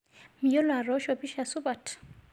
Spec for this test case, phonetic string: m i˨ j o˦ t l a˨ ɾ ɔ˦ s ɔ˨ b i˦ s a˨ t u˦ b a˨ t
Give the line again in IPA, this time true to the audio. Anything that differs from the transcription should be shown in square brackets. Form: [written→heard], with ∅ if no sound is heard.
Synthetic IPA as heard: m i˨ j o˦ [t→∅] l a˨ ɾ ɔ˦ [s→ʃ] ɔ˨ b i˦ [s→ʃ] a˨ [t→s] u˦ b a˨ t